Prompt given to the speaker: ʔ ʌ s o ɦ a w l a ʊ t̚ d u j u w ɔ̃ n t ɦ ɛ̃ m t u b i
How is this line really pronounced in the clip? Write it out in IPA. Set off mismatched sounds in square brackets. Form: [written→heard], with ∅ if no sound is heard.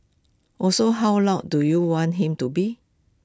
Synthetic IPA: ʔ [ʌ→ɔ] s o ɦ a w l a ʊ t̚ d u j u w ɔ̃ n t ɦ [ɛ̃→ĩ] m t u b i

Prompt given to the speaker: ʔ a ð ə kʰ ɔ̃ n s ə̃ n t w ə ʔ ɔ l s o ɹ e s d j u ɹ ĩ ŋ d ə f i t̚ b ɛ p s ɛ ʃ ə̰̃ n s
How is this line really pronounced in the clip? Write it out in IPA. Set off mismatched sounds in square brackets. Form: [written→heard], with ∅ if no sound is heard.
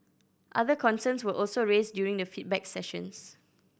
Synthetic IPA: ʔ a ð ə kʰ ɔ̃ n s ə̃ n [t→s] w ə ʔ ɔ l s o ɹ e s d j u ɹ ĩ ŋ d ə f i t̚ b ɛ [p→k] s ɛ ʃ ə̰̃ n s

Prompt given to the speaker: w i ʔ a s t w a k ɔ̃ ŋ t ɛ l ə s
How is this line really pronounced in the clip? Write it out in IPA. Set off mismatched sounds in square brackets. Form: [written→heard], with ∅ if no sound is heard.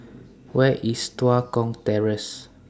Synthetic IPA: w [i→ɛ] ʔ [a→i] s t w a k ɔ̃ ŋ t ɛ [l→ɹ] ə s

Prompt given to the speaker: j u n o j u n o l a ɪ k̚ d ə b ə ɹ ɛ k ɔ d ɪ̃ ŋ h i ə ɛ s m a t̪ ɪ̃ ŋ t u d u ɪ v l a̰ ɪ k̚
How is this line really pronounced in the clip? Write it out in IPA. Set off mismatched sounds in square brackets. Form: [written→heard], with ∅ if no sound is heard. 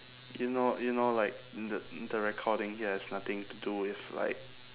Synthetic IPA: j u n o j u n o l a ɪ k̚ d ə [b→d] ə ɹ ɛ [k→kʰ] ɔ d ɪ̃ ŋ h i ə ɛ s [m→n] a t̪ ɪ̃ ŋ t u d u ɪ [v→f] l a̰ ɪ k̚

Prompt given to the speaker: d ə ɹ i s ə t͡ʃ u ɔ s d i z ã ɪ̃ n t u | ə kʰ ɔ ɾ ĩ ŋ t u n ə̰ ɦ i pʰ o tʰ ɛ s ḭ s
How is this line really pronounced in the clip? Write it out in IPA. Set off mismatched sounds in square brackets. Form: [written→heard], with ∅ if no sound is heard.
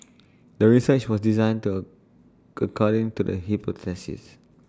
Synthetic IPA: d ə ɹ i s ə t͡ʃ [u→w] ɔ s d i z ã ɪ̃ n t u | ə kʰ ɔ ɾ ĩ ŋ t u [n→d] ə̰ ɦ i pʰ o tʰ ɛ s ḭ s

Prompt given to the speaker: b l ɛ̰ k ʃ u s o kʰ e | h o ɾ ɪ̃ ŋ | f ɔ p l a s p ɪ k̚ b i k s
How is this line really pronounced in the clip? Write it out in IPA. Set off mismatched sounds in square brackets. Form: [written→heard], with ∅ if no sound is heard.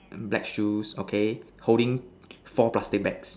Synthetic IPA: b l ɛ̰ k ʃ u s o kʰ e | h o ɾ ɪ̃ ŋ | f ɔ p l a s [p→t] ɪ k̚ b [i→ɛ] k s

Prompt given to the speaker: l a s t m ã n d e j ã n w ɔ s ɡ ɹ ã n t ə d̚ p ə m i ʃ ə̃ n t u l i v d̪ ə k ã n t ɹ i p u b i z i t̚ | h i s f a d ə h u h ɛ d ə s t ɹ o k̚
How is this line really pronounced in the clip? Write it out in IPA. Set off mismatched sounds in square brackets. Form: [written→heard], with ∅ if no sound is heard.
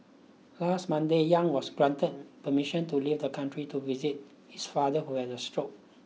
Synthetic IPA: l a s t m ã n d e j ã [n→ŋ] w ɔ s ɡ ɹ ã n t ə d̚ p ə m i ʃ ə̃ n t u l i v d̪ ə k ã n t ɹ i [p→t] u [b→v] i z i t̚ | h i s f a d ə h u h ɛ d ə s t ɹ o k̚

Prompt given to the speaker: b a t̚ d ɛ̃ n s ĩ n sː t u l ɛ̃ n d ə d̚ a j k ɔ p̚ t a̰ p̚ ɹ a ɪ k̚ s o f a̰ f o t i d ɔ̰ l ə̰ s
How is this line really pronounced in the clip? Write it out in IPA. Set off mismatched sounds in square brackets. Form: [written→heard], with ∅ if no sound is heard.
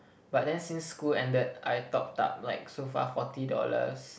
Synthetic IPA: b a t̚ d ɛ̃ n s ĩ n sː [t→k] u l ɛ̃ n d ə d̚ a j [k→t] ɔ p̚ t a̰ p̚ [ɹ→l] a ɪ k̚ s o f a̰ f [o→ɔ] t i d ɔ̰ l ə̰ s

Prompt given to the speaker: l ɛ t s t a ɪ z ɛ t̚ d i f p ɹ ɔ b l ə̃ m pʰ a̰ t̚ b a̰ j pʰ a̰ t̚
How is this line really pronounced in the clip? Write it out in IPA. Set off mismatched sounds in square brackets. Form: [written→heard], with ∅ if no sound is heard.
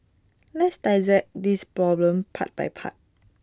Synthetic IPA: l ɛ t s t a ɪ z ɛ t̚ d i [f→s] p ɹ ɔ b l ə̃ m pʰ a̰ t̚ b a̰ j pʰ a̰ t̚

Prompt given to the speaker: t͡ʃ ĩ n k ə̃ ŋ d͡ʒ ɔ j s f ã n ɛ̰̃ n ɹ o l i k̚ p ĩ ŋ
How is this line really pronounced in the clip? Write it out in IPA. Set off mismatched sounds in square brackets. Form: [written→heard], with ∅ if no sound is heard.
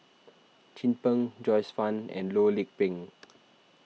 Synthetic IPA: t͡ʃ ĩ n [k→p] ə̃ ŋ d͡ʒ ɔ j s f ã n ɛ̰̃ n [ɹ→l] o l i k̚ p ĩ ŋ

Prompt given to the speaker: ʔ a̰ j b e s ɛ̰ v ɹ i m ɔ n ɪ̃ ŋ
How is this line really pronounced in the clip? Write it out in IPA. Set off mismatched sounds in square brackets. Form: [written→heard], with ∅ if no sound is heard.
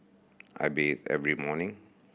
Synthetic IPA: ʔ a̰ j b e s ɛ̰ v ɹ i m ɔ n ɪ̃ ŋ

